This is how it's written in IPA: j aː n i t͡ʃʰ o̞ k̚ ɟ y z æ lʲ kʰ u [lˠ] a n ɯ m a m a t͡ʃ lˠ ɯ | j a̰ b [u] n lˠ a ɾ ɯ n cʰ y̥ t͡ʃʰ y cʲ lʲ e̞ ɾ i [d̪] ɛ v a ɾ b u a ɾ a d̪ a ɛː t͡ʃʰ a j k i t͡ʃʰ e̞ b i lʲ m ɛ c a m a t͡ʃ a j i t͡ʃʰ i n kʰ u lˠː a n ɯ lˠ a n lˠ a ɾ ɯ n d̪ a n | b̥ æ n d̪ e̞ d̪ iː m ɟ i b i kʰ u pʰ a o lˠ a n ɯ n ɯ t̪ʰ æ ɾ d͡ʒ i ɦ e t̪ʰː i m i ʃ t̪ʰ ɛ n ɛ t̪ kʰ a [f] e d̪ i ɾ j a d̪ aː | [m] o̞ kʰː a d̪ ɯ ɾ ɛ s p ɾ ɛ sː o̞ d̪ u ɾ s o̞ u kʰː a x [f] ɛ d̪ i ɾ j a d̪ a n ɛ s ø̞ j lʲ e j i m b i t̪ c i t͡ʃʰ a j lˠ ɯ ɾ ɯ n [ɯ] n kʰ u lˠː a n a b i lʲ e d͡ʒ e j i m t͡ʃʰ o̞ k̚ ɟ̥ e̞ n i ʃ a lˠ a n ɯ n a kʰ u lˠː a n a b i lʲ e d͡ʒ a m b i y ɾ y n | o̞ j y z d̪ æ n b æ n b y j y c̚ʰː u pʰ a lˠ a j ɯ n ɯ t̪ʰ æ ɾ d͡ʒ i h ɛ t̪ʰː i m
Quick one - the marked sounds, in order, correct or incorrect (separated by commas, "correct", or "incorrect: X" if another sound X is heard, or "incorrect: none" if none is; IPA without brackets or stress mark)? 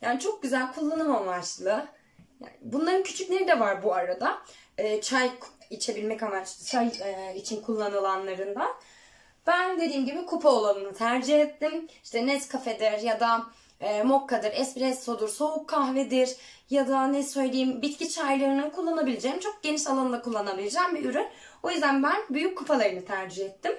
incorrect: lˠː, correct, correct, correct, correct, incorrect: v, correct